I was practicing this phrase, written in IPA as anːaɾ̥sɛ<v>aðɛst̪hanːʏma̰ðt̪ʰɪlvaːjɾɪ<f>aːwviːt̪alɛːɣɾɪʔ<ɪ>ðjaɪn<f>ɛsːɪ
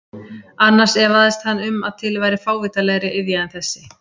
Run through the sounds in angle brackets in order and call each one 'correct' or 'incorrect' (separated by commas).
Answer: correct, correct, correct, incorrect